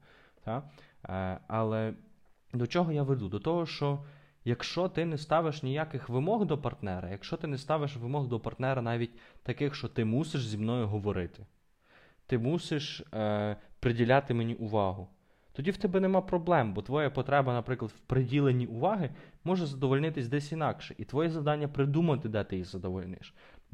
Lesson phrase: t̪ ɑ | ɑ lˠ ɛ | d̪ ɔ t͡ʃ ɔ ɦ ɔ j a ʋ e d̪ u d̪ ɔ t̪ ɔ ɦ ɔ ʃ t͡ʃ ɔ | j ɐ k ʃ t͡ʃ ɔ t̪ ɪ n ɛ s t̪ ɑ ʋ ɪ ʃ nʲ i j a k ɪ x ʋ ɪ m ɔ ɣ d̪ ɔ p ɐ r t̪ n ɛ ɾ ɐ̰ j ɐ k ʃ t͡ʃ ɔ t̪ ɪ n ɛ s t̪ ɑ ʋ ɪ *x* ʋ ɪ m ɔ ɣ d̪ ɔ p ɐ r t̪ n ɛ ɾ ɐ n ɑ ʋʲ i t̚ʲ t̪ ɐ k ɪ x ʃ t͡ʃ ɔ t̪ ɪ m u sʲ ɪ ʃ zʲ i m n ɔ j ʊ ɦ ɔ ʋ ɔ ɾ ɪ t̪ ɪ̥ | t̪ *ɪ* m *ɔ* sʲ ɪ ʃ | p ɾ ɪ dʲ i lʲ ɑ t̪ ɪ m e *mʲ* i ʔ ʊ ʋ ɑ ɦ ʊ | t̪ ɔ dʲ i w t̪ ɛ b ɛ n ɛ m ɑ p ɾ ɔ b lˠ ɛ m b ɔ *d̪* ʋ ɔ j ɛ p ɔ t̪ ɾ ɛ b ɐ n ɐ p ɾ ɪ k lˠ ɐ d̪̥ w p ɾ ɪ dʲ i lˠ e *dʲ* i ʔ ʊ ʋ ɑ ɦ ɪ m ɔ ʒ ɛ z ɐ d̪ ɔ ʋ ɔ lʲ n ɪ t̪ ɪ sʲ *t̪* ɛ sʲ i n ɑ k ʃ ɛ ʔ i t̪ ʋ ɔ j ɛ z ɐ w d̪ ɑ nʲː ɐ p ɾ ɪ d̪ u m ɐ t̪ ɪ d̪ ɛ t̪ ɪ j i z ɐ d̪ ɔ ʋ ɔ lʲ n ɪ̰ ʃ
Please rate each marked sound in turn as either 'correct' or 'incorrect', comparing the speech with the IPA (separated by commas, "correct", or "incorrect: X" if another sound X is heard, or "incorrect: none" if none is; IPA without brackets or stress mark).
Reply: incorrect: ʃ, correct, incorrect: u, incorrect: nʲ, incorrect: t̪, incorrect: nʲ, incorrect: d̪